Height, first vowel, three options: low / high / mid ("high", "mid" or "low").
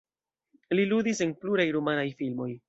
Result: high